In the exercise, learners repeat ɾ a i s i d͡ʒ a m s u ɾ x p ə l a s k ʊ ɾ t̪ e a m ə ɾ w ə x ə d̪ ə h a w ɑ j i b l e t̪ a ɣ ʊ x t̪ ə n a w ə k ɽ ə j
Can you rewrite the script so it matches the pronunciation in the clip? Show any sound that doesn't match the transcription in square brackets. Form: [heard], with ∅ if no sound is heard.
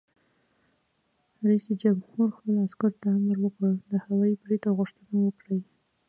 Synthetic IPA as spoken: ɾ a i s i d͡ʒ a m [h] u ɾ x p ə l a s k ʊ ɾ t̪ [a] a m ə ɾ w ə [k] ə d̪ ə h a w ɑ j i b [ɾ] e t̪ a ɣ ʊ [ʂ] t̪ ə n a w ə k ɽ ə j